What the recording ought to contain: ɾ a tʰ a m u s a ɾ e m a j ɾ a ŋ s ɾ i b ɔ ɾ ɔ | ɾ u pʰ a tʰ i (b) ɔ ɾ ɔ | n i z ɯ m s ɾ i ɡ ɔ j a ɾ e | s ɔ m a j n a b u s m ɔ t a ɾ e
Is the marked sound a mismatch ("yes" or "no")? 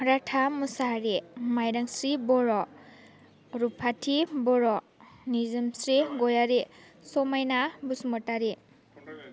no